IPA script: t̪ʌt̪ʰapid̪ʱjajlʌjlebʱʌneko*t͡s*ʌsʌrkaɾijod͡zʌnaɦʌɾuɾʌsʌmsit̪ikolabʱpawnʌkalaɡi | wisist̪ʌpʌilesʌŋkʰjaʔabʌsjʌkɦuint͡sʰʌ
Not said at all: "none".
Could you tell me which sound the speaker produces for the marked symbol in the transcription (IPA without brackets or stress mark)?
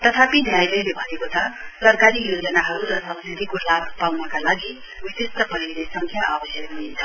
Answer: t͡sʰ